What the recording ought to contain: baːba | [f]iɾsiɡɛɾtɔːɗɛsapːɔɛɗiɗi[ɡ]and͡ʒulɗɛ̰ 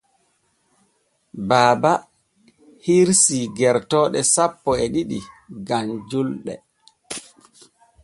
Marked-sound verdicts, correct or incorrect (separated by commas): incorrect, correct